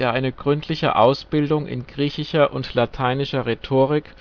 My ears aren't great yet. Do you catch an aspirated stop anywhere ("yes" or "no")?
yes